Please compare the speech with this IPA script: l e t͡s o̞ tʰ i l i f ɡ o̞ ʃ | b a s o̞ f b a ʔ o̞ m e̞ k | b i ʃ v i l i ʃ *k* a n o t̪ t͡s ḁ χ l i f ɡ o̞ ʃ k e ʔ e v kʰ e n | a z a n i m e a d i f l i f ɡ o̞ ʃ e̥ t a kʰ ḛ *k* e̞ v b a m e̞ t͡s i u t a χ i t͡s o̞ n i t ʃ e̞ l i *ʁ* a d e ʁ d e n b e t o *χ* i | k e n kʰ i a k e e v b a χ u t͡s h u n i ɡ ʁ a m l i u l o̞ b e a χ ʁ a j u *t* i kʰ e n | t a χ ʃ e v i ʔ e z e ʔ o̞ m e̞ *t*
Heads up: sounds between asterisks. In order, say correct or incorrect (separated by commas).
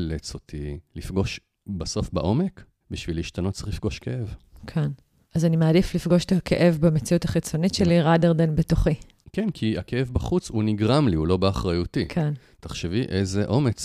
incorrect, incorrect, correct, correct, correct, incorrect